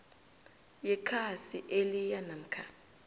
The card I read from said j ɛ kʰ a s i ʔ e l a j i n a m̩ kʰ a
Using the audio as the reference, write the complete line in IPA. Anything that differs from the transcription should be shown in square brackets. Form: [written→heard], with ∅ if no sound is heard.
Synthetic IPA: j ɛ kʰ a s i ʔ e l [a→i] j [i→a] n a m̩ kʰ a